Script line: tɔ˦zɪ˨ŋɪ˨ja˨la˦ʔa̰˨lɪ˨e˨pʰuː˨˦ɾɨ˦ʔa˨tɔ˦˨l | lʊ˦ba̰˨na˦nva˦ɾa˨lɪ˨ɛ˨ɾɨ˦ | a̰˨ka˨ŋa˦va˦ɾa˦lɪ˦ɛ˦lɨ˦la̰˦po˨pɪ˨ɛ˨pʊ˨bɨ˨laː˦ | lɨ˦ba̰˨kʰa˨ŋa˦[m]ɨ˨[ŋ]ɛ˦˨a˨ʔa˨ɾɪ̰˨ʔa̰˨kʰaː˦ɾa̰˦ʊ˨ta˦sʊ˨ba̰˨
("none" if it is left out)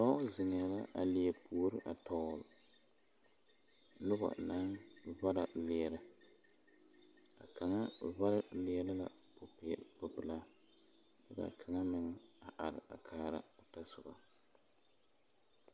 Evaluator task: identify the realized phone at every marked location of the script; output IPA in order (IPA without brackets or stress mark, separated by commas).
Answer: m, ŋ